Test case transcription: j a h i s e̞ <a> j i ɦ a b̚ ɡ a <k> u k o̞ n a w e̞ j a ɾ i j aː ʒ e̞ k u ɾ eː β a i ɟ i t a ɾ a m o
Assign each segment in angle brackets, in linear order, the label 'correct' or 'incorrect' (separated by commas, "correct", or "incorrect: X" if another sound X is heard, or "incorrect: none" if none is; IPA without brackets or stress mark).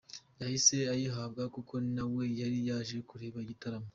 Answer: correct, correct